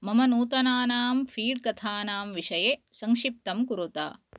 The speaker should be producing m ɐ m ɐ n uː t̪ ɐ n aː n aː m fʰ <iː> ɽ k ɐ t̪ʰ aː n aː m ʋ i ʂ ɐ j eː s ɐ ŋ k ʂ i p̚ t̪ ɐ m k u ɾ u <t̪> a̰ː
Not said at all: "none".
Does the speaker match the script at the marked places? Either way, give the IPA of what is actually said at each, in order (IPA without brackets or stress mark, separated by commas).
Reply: iː, t̪